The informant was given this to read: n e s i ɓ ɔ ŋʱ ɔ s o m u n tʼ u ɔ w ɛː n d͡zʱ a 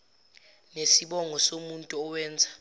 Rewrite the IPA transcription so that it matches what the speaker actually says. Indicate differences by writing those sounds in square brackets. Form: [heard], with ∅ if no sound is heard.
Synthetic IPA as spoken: n e s i ɓ ɔ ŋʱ ɔ s o m u n tʼ u ɔ w ɛː n d͡zʱ a

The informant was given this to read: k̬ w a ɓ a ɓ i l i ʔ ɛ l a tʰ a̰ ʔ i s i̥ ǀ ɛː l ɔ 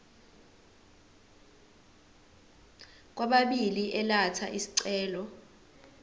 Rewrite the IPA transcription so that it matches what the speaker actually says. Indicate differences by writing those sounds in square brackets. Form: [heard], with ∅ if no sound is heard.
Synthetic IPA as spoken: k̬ w a ɓ a ɓ i l i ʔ ɛ l a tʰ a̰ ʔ i s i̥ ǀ ɛː l ɔ

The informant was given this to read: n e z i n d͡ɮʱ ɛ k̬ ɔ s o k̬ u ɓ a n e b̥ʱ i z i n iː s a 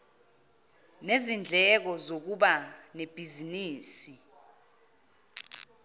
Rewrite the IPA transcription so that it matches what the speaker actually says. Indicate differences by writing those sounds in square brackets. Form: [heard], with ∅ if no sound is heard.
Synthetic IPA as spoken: n e z i n d͡ɮʱ ɛ k̬ ɔ [z] o k̬ u ɓ a n e b̥ʱ i z i n iː s [i]

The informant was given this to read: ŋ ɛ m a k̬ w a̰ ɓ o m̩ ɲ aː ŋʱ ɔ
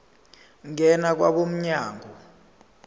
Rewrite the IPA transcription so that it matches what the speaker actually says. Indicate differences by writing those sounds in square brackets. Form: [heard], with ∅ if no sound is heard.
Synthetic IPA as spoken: ŋ ɛ [n] a k̬ w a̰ ɓ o m̩ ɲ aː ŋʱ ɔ

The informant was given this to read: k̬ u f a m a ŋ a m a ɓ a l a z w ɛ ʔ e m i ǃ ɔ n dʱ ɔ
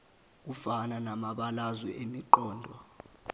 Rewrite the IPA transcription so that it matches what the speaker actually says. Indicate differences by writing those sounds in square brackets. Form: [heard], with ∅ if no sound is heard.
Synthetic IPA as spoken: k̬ u f a [n] a [n] a m a ɓ a l a z w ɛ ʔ e m i ǃ [ɔː] n dʱ ɔ

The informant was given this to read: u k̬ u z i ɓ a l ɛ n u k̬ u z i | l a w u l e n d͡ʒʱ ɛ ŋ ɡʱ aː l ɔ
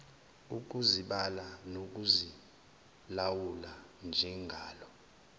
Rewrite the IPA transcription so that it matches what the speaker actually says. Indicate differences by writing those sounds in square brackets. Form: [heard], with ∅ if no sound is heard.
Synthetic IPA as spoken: u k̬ u z i ɓ a l [a] n [o] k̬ u z i | l a w u l [a] n d͡ʒʱ ɛ ŋ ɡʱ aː l ɔ

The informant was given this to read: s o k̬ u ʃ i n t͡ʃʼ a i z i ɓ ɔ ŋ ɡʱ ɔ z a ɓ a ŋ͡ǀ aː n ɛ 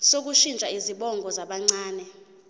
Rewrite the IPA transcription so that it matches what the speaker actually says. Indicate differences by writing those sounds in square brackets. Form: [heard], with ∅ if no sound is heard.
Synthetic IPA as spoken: s o k̬ u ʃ i n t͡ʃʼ a i z i ɓ ɔ ŋ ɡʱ ɔ z a ɓ a ŋ͡ǀ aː n ɛ

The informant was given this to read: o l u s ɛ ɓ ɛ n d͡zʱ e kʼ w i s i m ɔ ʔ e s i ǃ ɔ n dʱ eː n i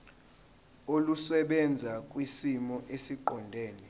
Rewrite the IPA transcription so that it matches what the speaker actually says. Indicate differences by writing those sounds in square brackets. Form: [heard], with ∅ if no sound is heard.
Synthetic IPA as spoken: o l u s ɛ ɓ ɛ n d͡zʱ [a] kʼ w i s i m ɔ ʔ e s i ǃ ɔ n dʱ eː n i

